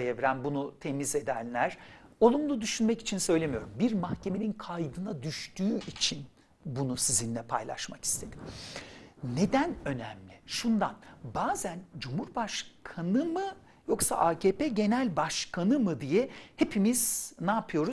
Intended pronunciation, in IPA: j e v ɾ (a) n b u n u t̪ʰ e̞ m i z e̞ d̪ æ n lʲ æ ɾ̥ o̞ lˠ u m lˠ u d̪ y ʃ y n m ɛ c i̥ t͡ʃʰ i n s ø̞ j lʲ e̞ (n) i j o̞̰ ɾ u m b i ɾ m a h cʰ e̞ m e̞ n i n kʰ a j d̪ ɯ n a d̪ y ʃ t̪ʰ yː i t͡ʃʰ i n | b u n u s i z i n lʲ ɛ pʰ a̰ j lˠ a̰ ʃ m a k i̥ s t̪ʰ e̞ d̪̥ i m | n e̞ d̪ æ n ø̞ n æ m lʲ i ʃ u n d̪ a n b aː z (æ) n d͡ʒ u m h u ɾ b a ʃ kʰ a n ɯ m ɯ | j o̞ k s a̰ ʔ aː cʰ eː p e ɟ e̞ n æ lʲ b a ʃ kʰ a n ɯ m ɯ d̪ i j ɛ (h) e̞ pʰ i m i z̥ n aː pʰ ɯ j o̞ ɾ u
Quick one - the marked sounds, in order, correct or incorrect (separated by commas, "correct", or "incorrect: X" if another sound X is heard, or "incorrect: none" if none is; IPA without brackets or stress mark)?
incorrect: æ, incorrect: m, correct, correct